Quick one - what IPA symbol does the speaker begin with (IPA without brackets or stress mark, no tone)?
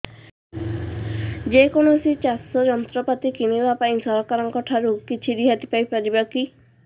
d͡ʒ